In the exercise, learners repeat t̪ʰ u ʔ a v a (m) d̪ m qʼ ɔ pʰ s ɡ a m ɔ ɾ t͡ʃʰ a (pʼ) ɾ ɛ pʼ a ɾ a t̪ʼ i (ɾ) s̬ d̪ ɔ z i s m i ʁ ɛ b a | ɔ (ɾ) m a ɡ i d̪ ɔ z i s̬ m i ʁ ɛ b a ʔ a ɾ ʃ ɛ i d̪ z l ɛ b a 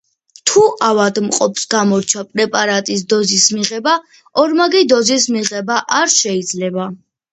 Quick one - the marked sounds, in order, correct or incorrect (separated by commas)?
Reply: incorrect, correct, incorrect, correct